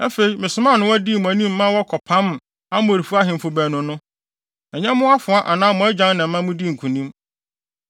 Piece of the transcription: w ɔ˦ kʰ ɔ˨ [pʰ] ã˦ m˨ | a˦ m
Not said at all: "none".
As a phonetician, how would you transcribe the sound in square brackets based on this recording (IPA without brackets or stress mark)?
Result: pʰ